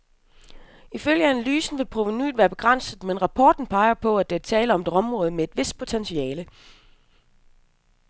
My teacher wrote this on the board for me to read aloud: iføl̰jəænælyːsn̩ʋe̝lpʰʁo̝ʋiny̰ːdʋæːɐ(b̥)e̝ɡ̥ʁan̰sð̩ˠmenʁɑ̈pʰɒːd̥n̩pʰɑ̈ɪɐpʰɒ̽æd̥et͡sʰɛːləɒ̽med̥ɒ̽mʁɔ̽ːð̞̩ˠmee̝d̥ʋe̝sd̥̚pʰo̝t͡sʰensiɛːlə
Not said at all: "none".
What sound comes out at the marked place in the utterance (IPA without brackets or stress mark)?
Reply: b̥